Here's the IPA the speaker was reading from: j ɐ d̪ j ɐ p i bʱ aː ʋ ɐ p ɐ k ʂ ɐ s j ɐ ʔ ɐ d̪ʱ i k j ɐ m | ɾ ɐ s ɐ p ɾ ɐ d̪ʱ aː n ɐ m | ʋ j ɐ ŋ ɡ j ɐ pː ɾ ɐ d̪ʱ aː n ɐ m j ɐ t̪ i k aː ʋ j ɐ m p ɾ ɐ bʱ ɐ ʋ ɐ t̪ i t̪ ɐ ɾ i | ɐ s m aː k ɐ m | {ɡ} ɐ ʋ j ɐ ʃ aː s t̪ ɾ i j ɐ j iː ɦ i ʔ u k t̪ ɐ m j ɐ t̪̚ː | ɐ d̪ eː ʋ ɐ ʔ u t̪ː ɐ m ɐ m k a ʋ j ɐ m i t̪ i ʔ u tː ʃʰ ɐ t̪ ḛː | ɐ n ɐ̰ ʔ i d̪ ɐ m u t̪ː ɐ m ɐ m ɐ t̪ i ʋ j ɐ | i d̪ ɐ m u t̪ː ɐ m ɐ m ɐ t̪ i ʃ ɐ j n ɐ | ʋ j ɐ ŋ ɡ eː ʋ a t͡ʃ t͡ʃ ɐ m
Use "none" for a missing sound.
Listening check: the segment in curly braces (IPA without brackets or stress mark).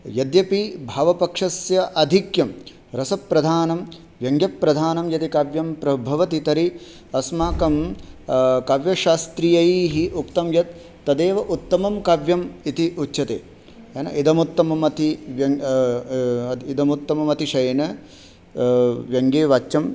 k